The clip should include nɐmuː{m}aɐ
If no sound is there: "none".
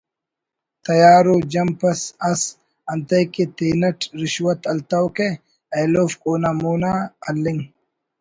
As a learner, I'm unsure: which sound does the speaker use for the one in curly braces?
n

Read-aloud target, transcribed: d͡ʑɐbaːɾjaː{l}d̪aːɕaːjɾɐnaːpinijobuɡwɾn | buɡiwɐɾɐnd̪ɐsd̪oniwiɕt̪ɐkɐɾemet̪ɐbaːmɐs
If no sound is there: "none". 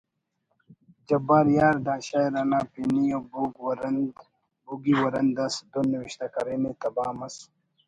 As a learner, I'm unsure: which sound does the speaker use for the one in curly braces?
ɾ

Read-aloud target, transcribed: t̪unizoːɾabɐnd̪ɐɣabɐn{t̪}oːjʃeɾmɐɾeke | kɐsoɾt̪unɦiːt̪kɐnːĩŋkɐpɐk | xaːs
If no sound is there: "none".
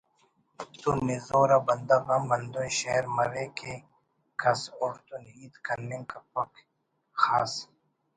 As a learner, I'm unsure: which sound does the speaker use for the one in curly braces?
d̪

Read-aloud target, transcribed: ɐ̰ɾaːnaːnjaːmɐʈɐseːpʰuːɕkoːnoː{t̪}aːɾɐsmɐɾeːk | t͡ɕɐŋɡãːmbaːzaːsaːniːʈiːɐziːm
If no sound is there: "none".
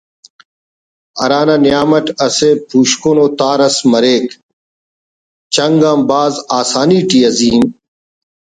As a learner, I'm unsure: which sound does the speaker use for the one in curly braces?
t̪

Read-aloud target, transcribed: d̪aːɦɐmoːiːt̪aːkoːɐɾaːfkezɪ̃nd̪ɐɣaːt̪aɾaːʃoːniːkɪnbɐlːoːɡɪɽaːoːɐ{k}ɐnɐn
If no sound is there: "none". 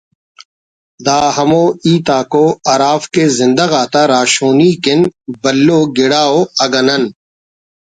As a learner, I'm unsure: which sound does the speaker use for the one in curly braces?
ɡ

